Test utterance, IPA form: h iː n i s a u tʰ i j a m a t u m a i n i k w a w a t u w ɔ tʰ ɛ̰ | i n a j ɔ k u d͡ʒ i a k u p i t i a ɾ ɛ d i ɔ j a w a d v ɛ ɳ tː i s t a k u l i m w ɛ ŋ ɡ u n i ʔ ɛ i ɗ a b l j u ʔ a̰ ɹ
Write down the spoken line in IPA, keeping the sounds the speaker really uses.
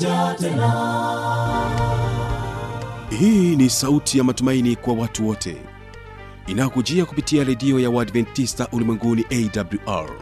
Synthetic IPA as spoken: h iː n i s a u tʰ i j a m a t u m a i n i k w a w a t u w ɔ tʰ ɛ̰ | i n a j ɔ k u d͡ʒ i a k u p i t i a ɾ ɛ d i ɔ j a w a d v ɛ n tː i s t a ʔ u l i m w ɛ ŋ ɡ u n i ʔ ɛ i d a b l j u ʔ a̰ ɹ